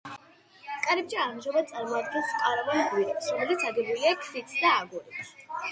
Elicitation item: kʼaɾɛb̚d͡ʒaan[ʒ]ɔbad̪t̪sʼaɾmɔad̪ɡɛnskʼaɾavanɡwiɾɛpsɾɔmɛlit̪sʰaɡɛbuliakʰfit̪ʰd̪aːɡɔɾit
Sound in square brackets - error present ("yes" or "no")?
no